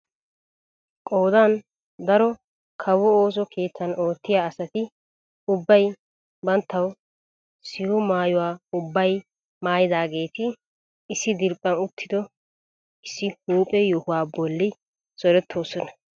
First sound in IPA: kʼ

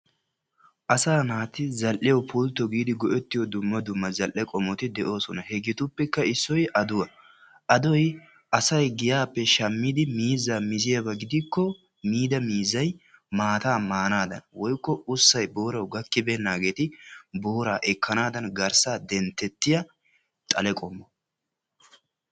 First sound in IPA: ʔ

